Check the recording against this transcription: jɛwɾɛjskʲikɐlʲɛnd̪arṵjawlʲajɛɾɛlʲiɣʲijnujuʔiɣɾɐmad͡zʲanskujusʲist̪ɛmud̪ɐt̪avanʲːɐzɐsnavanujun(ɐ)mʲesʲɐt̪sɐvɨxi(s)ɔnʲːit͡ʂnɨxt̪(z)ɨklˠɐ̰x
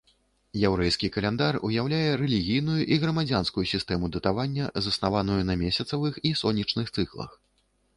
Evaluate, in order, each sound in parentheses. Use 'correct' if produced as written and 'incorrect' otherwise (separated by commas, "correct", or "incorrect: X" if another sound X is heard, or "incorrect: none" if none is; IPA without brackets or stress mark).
correct, correct, incorrect: s